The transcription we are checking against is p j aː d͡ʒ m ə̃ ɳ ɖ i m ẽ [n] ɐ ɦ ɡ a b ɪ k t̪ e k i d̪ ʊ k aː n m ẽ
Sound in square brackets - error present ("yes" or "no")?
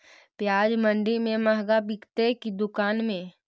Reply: yes